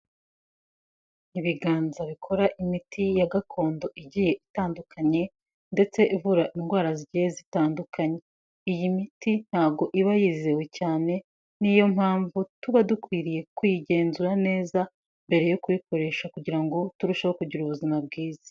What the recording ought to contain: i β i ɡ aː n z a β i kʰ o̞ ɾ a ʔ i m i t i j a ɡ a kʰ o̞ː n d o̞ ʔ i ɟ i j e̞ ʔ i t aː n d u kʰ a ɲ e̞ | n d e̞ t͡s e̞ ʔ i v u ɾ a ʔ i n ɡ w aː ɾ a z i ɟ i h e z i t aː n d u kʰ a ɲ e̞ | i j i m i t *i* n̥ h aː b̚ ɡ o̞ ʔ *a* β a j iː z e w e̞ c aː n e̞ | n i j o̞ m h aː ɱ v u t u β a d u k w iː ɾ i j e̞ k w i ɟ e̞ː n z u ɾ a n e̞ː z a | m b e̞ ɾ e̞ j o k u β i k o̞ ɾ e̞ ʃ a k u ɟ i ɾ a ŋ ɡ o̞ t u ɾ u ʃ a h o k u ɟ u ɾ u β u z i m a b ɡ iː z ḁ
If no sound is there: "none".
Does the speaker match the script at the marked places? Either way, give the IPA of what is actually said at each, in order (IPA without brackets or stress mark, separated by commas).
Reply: i, i